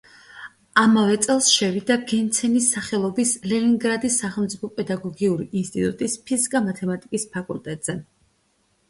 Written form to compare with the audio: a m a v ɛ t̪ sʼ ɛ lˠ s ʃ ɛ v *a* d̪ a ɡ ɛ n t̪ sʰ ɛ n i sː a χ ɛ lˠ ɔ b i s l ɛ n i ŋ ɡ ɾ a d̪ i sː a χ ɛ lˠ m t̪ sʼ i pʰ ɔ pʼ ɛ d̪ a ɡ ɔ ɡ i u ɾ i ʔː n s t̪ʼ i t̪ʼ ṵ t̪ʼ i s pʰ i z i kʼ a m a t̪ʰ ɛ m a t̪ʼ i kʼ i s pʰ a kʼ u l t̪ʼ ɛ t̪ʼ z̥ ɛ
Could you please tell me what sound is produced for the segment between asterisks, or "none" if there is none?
i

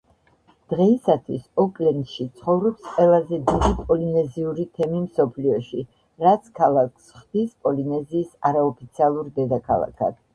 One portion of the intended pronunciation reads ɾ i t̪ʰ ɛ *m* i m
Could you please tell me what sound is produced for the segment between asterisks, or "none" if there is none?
m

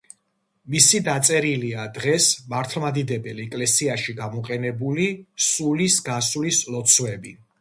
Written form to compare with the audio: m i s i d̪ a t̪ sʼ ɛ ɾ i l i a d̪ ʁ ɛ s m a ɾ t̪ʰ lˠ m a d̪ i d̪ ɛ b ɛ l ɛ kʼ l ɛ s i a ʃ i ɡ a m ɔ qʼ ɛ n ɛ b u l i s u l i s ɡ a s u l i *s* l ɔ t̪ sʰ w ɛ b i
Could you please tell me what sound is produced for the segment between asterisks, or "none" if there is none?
s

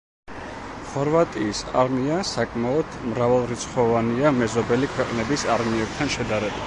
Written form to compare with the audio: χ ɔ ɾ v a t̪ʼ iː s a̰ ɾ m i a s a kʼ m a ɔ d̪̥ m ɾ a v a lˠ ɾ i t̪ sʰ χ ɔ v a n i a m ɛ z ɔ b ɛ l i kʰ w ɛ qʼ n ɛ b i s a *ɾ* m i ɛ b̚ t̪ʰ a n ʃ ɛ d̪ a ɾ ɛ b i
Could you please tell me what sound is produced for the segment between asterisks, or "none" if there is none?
ɾ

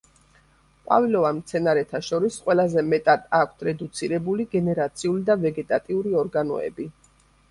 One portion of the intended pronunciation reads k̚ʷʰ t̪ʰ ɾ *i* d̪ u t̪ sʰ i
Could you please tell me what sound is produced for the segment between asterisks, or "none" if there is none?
ɛ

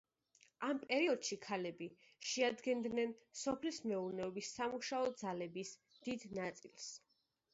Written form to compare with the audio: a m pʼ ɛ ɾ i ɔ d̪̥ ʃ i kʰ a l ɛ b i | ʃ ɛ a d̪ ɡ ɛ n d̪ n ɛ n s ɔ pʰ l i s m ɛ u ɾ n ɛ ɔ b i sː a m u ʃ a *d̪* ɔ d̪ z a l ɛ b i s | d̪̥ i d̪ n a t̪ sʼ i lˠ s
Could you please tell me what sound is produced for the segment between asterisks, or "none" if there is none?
none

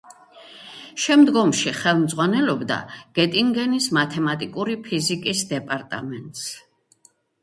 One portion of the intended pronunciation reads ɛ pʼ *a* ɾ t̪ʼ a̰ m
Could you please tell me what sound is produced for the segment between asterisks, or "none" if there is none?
a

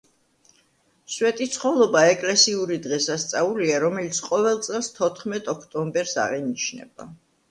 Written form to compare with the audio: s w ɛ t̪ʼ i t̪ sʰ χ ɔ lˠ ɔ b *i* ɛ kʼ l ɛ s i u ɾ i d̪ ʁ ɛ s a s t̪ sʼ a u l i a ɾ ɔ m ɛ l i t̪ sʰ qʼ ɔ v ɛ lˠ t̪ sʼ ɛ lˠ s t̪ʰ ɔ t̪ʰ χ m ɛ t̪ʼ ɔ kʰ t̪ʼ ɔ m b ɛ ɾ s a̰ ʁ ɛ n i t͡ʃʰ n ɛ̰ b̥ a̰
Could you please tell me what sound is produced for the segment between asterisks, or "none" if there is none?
a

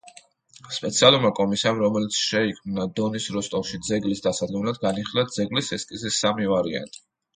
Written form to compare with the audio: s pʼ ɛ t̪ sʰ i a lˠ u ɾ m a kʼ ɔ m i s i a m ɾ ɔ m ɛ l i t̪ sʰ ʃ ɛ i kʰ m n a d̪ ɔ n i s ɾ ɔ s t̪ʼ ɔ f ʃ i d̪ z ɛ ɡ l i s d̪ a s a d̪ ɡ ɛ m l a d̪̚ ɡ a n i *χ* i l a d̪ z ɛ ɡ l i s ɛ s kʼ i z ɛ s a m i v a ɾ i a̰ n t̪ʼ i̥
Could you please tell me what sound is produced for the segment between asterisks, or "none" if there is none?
χ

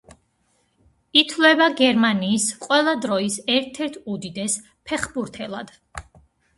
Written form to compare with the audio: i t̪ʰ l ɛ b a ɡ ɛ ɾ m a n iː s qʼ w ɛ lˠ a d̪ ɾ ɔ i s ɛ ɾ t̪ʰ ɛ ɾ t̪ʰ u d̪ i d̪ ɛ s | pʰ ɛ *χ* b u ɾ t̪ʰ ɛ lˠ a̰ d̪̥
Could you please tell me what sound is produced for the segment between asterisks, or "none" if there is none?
χ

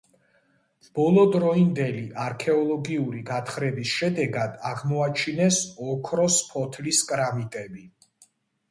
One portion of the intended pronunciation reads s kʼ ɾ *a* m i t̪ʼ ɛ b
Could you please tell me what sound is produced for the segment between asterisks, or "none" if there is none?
a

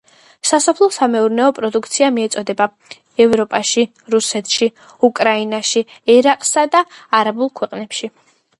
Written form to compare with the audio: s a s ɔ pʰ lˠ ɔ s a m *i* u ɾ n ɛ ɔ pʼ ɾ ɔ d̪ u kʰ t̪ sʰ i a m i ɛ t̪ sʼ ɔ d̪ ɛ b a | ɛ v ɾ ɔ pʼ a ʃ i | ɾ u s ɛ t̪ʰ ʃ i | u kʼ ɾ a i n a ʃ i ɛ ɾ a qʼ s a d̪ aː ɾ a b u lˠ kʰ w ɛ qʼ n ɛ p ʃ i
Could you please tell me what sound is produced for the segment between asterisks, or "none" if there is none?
ɛ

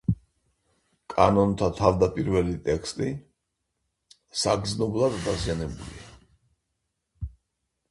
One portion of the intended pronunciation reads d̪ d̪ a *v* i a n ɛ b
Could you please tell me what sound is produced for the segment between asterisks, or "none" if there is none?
z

